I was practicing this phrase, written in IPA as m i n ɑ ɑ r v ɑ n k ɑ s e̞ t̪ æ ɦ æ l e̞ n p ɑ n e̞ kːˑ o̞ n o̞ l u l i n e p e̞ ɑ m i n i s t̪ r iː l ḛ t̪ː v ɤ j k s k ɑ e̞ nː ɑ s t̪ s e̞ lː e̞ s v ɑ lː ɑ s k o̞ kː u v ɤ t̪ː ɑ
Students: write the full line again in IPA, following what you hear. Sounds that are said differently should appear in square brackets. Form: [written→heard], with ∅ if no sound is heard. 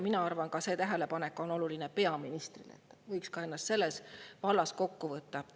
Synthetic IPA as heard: m i n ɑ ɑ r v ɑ n k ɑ s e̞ t̪ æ ɦ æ l e̞ [n→∅] p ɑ n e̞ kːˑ o̞ n o̞ l u l i n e p e̞ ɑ m i n i s t̪ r [iː→i] l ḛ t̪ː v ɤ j k s k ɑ e̞ nː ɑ s t̪ s e̞ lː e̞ s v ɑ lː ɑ s k o̞ kː u v ɤ t̪ː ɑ